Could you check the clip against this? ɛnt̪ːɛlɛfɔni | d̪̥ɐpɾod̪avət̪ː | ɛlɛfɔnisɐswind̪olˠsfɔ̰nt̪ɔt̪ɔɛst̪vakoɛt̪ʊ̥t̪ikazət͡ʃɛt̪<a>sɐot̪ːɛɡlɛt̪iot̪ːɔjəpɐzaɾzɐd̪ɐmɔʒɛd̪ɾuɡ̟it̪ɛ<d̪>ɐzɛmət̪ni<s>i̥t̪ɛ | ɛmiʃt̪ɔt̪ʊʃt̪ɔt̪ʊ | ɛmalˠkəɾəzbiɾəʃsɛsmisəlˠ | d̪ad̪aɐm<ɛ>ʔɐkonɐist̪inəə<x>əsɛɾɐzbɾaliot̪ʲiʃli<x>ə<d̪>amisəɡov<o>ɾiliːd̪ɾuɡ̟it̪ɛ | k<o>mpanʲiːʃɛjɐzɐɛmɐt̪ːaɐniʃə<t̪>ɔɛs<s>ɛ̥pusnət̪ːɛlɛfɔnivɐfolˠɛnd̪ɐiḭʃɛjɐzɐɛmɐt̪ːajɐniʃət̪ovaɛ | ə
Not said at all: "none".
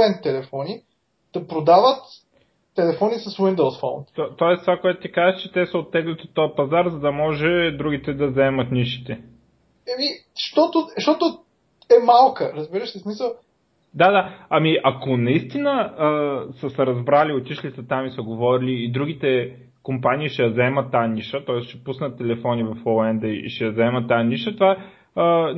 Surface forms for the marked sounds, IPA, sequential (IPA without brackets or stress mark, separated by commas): ɛ, d̪, ʃ, i, s, s, t̪, ɔ, o, t̪, ʃ